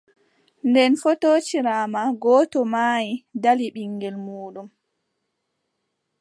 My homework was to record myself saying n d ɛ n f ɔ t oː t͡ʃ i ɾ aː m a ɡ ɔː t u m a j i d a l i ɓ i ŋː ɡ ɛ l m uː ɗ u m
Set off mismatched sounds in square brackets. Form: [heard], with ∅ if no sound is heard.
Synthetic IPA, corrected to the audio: n d ɛ n f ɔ t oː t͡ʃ i ɾ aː m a ɡ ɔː t [ɔ] m a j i d a l i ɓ i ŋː ɡ ɛ l m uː ɗ u m